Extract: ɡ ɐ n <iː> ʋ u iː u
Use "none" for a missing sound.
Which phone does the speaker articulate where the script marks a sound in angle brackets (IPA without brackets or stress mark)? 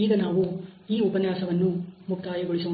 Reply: aː